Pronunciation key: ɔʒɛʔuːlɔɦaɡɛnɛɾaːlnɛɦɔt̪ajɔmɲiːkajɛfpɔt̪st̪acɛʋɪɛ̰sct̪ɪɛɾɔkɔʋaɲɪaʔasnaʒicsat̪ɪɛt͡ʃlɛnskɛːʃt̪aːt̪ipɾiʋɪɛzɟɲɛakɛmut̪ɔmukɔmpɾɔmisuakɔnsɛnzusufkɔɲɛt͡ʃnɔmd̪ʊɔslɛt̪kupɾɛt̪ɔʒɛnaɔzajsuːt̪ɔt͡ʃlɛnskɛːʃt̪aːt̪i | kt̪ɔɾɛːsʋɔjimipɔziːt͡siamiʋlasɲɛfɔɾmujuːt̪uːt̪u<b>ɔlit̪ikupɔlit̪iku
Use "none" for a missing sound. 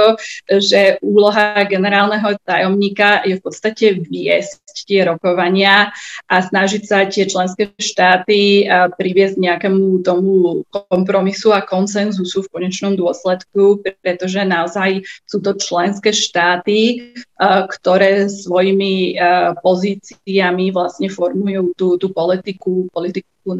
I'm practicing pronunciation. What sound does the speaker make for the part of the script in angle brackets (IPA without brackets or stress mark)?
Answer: p